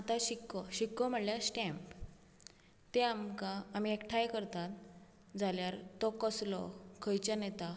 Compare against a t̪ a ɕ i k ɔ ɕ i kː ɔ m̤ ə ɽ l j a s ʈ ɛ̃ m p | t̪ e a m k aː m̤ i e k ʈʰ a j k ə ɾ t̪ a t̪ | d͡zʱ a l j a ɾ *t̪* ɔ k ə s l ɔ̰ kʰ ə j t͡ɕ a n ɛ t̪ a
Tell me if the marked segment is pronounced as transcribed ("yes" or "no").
yes